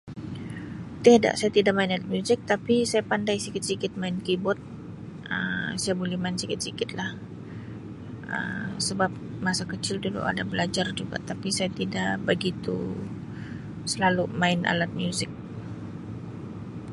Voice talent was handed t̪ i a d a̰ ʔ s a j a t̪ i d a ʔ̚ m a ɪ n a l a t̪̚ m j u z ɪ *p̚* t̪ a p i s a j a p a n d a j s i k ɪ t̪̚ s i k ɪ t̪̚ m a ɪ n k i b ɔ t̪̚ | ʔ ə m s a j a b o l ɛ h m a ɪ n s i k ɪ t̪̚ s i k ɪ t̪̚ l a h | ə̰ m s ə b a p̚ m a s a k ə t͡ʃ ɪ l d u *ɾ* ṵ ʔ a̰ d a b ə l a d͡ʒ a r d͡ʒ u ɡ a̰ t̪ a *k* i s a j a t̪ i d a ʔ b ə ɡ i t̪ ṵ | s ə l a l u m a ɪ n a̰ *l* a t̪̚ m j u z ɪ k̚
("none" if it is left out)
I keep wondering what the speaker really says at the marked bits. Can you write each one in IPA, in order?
k̚, l, p, l

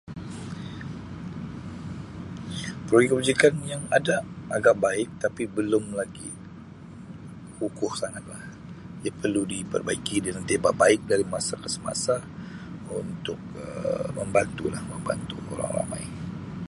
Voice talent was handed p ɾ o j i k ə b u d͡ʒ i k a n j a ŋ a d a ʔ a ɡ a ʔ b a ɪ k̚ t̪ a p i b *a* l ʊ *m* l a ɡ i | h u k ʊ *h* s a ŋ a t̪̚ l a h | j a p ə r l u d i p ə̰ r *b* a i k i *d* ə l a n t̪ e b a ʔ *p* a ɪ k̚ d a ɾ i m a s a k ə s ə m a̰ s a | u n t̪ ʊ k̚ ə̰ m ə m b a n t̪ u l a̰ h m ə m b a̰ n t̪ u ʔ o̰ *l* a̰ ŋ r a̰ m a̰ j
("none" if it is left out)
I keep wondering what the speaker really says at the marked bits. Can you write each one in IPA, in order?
ə, m, h, b, d, b, ɾ

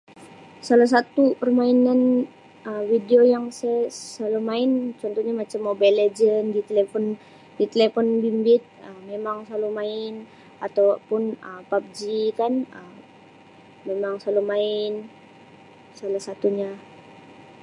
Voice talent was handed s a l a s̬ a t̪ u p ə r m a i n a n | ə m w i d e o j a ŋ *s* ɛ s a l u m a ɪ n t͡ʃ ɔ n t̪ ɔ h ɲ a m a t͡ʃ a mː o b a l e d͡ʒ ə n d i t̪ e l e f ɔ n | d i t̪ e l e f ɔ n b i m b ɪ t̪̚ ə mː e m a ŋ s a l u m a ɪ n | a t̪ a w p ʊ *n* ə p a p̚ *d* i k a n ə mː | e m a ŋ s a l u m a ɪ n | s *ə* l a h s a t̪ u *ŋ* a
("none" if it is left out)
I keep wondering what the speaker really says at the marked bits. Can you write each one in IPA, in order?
s, n, d͡ʒ, a, ɲ

